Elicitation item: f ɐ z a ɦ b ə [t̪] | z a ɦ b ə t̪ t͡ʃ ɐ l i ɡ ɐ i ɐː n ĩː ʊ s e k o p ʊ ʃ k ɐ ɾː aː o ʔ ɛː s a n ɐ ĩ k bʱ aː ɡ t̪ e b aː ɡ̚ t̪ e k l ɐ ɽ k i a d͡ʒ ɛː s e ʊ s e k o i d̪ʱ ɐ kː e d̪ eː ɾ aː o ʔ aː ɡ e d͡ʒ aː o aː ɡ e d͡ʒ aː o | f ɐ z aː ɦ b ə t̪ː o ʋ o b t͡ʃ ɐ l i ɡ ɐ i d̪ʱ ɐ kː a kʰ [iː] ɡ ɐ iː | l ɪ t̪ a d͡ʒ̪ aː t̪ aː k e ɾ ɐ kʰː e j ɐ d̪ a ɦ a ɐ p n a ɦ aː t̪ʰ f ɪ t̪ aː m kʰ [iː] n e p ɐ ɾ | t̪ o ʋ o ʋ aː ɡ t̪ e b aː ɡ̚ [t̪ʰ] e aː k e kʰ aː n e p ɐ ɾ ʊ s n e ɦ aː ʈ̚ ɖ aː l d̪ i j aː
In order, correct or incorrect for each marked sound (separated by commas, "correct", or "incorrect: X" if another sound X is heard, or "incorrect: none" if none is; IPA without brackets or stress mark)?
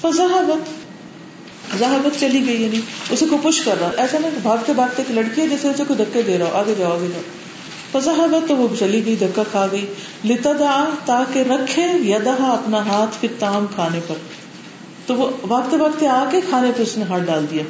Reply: correct, incorrect: aː, incorrect: aː, incorrect: t̪